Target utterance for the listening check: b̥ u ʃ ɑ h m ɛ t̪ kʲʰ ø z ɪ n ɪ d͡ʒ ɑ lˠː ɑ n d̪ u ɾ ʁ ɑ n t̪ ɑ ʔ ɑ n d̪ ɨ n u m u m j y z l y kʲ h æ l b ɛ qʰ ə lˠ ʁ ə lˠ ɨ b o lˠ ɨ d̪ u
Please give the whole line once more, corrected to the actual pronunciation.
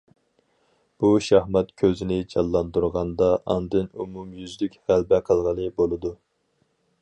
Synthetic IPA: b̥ u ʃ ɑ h m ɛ t̪ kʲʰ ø z ɪ n ɪ d͡ʒ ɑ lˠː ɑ n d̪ u ɾ ʁ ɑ n d̪ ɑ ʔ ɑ n d̪ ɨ n u m u m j y z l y kʲ h æ l b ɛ qʰ ə lˠ ʁ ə lˠ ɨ b o lˠ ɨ d̪ u